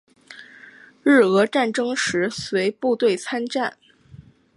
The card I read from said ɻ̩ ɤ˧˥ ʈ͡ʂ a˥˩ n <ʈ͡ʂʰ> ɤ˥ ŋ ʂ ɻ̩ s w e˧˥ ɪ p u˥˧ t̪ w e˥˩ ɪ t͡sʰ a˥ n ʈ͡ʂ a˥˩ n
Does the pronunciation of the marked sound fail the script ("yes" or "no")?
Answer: yes